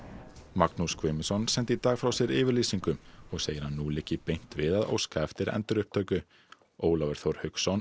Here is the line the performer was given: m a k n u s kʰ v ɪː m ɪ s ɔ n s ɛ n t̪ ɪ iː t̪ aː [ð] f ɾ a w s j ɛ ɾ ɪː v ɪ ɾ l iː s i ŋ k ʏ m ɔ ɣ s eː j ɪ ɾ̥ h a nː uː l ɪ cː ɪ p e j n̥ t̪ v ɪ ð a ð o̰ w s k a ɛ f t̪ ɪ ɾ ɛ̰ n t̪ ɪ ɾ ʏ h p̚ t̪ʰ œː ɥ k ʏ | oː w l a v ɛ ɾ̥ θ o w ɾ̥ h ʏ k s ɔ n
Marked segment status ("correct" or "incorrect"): incorrect